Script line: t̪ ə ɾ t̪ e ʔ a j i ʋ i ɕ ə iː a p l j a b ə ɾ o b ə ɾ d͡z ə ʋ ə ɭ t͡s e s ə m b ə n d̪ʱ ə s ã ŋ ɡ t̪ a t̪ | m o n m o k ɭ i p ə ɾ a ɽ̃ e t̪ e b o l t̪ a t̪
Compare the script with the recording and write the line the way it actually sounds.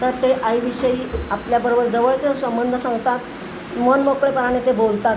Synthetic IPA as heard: t̪ ə ɾ t̪ e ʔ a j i ʋ i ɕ ə iː a p l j a b ə ɾ o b ə ɾ d͡z ə ʋ ə ɭ t͡s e s ə m b ə n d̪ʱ ə s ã ŋ ɡ t̪ a t̪ | m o n m o k ɭ e p ə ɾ a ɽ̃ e t̪ e b o l t̪ a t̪